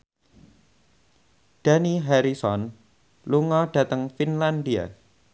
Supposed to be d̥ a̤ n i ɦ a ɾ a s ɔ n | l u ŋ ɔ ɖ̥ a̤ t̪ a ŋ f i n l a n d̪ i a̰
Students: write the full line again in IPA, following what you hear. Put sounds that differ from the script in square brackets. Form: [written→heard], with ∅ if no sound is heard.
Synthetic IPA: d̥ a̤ n i ɦ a ɾ [a→i] s ɔ n | l u ŋ ɔ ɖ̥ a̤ t̪ [a→ə] ŋ f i n l a n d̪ i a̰